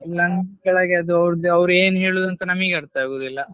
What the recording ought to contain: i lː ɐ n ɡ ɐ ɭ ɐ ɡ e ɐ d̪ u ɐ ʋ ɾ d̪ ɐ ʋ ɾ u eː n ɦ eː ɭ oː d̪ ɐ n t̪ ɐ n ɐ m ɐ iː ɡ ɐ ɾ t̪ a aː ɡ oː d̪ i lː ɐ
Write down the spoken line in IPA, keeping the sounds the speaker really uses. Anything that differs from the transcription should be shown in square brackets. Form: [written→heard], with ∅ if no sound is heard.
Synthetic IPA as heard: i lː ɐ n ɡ ɐ ɭ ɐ ɡ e ɐ d̪ u ɐ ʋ ɾ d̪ ɐ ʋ ɾ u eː n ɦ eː ɭ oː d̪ ɐ n t̪ ɐ n ɐ m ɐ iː ɡ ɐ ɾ t̪ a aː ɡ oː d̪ i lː ɐ